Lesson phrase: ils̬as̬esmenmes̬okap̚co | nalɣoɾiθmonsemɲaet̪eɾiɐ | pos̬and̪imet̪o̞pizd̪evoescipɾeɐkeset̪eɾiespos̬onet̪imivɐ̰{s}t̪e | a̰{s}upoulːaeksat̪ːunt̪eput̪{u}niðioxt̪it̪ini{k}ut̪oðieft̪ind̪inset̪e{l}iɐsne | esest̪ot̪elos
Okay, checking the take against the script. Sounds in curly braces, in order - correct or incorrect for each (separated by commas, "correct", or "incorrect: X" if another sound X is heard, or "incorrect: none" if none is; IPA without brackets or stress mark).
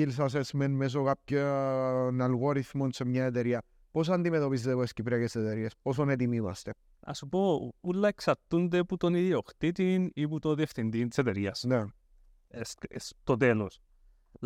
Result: correct, correct, incorrect: o, incorrect: p, incorrect: ɾ